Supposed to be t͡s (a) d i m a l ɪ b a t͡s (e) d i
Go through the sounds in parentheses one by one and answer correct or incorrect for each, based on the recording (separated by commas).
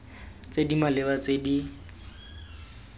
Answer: incorrect, correct